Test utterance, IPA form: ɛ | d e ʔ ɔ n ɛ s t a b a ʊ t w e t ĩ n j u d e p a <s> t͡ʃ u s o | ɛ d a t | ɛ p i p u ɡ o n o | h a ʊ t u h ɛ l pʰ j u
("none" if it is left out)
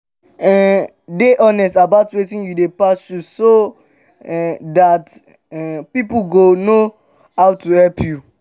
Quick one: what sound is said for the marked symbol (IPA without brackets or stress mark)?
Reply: s